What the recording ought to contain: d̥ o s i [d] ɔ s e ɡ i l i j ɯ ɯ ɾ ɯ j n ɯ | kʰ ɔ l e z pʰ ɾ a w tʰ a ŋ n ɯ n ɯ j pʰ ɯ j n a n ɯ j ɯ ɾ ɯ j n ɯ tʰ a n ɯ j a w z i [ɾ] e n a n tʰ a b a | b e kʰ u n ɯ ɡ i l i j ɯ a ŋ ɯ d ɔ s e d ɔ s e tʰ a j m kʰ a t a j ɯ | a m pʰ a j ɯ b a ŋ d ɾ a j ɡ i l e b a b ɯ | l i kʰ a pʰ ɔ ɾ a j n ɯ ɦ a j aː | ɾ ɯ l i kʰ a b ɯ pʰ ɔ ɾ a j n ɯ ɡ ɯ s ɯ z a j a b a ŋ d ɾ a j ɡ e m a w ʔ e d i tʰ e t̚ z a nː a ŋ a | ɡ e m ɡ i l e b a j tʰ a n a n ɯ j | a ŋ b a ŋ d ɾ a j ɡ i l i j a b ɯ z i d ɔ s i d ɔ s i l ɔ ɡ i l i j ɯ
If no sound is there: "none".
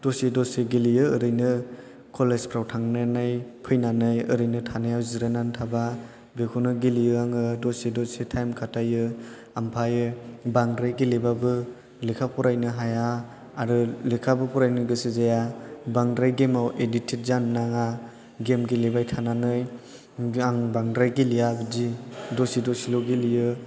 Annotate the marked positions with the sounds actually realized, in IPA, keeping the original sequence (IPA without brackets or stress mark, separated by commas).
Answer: d, ɾ